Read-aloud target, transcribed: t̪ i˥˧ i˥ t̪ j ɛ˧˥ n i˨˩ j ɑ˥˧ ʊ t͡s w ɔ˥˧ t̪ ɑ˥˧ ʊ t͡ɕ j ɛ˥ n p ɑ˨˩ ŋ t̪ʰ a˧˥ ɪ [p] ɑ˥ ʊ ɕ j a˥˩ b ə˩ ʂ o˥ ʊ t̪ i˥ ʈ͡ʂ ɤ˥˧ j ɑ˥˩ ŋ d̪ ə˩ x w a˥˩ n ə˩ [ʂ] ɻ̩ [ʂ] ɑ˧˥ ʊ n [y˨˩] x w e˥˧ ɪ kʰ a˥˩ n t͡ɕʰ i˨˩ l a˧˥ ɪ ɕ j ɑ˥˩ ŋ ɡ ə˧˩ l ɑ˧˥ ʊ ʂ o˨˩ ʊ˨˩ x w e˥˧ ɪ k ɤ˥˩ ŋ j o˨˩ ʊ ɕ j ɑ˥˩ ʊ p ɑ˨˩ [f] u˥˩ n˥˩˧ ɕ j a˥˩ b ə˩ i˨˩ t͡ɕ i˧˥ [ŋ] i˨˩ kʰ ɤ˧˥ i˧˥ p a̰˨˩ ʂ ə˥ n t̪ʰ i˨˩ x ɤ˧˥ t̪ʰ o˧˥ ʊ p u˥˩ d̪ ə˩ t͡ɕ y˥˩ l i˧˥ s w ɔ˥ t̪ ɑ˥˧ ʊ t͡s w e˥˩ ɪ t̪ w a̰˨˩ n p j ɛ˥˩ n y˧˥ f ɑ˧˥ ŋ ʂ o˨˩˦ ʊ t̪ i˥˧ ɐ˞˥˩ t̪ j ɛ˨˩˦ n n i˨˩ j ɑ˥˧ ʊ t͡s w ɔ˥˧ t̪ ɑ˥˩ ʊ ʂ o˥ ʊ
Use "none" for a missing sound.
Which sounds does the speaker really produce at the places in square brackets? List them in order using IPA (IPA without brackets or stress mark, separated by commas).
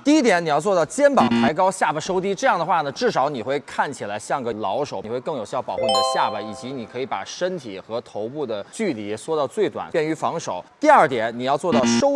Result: k, ʈ͡ʂ, ʂ, i˨˩, x, n